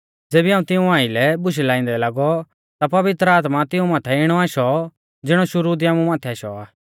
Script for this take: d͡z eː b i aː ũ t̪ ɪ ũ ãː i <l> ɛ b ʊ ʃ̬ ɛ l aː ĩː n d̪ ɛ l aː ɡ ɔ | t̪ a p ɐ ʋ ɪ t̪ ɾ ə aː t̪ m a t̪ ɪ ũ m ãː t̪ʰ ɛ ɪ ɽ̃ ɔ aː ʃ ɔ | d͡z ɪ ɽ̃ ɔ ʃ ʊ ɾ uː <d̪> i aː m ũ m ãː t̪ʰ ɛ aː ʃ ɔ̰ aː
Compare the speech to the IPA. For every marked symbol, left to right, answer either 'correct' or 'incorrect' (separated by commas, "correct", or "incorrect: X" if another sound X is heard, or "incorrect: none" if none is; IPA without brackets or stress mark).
correct, correct